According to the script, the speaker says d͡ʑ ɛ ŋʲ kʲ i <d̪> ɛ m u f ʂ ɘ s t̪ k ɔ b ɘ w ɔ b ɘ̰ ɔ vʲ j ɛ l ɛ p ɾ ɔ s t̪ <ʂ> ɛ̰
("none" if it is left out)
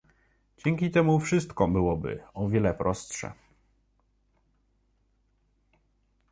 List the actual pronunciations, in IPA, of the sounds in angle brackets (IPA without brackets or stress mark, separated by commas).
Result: t̪, ʂ